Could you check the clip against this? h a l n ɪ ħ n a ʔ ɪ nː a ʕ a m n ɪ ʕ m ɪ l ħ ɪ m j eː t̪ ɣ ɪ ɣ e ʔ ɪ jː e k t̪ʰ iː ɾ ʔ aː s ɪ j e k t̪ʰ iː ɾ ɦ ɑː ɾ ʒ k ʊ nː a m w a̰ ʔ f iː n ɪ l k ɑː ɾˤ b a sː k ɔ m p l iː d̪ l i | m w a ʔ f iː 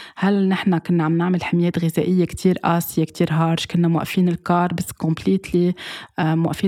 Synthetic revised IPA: h a l n ɪ ħ n a k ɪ nː a ʕ a m n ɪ ʕ m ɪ l ħ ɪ m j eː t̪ ɣ ɪ z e ʔ ɪ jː e k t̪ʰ iː ɾ ʔ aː s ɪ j e k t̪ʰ iː ɾ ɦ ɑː ɾ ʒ k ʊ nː a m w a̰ ʔ f iː n ɪ l k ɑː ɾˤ b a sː k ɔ m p l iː t̪ l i | m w a ʔ f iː